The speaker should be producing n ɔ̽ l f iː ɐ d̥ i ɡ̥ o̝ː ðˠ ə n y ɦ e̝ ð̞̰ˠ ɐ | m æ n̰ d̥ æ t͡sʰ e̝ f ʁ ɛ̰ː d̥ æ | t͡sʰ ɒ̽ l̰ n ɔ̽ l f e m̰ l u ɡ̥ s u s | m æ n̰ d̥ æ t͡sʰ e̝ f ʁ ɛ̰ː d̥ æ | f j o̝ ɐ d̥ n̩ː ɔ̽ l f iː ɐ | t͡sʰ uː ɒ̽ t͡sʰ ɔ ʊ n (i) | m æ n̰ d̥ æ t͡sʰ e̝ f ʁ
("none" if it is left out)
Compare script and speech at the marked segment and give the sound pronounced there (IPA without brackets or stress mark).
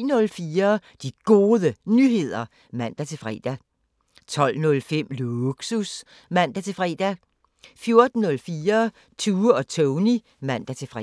i